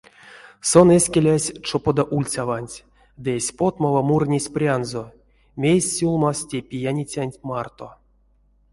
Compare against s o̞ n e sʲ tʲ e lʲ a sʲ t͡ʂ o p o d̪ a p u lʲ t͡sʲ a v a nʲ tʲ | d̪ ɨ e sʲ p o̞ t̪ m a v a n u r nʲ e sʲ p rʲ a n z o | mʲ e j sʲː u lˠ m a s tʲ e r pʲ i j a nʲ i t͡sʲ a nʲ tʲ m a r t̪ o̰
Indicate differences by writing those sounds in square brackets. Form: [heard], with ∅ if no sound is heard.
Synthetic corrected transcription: s o̞ n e sʲ [kʲ] e lʲ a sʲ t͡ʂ o p o d̪ a [ʔ] u lʲ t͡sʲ a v a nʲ tʲ | d̪ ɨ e sʲ p o̞ t̪ m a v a [m] u r nʲ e sʲ p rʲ a n z o | mʲ e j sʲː u lˠ m a s tʲ e [∅] pʲ i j a nʲ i t͡sʲ a nʲ tʲ m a r t̪ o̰